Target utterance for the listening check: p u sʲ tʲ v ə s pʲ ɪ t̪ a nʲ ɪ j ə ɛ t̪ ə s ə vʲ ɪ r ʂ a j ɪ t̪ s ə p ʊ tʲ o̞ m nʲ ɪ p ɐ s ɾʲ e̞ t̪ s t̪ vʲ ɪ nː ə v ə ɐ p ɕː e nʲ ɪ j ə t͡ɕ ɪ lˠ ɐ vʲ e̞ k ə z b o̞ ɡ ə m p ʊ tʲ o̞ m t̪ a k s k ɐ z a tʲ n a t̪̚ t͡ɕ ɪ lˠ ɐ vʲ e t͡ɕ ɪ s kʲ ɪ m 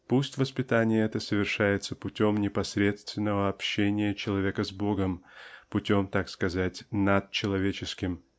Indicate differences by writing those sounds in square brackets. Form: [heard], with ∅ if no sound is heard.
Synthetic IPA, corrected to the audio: p u sʲ tʲ v ə s pʲ ɪ t̪ a nʲ ɪ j ə ɛ t̪ ə s ə vʲ ɪ r ʂ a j ɪ t̪ s ə p ʊ tʲ o̞ m nʲ ɪ p ɐ s ɾʲ e̞ t̪ s t̪ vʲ ɪ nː ə v ə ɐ p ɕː e nʲ ɪ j ə t͡ɕ ɪ lˠ ɐ vʲ e̞ k ə z b o̞ ɡ ə m p ʊ tʲ o̞ m t̪ a k s k ɐ z a tʲ n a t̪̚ t͡ɕ ɪ lˠ ɐ vʲ e t͡ɕ ɪ s kʲ ɪ m